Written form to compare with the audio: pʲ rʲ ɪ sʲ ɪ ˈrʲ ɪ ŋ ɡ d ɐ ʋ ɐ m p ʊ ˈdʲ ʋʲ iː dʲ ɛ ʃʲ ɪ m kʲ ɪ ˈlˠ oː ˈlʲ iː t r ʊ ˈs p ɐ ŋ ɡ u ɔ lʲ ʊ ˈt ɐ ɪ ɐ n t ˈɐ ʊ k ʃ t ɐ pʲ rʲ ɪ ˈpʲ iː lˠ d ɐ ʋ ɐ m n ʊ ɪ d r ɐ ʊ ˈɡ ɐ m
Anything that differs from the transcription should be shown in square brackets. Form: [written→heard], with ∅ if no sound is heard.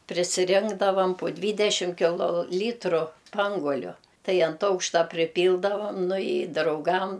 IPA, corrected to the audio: pʲ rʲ ɪ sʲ ɪ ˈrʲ ɪ ŋ ɡ d ɐ ʋ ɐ m p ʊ ˈdʲ ʋʲ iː dʲ ɛ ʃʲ ɪ m kʲ ɪ ˈlˠ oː ˈlʲ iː t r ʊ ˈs p ɐ ŋ ɡ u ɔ lʲ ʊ ˈt ɐ ɪ ɐ n t ˈɐ ʊ k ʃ t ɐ pʲ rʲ ɪ ˈpʲ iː lˠ d ɐ ʋ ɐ m n ʊ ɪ d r ɐ ʊ ˈɡ ɐ m

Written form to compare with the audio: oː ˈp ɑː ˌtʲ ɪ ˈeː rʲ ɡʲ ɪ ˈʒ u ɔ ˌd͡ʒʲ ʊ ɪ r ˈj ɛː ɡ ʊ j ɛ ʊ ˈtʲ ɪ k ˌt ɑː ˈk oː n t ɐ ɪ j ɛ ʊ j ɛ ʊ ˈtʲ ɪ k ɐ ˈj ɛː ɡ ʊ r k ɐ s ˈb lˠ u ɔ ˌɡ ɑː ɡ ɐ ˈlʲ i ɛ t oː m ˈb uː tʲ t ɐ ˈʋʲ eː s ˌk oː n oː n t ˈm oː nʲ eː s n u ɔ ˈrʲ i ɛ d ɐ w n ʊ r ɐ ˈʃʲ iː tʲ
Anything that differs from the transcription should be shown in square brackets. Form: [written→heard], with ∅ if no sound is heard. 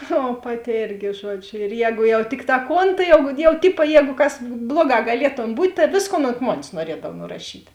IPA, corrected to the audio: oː ˈp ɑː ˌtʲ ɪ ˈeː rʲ ɡʲ ɪ ˈʒ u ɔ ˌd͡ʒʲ ʊ ɪ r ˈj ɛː ɡ ʊ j ɛ ʊ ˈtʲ ɪ k ˌt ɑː ˈk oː n t ɐ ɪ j ɛ ʊ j ɛ ʊ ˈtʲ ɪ [k→p] ɐ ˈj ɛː ɡ ʊ [r→∅] k ɐ s ˈb lˠ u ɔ ˌɡ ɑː ɡ ɐ ˈlʲ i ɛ t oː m ˈb uː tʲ t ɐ ˈʋʲ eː s ˌk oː n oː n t ˈm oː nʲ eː s n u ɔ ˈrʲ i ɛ d ɐ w n ʊ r ɐ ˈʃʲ iː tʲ

